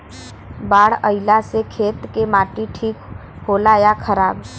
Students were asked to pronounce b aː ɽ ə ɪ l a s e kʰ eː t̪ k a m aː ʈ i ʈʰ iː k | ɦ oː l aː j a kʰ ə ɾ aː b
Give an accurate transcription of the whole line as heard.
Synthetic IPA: b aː ɽ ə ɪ l a s e kʰ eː t̪ k e m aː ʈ i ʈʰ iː k | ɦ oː l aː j a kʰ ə ɾ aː b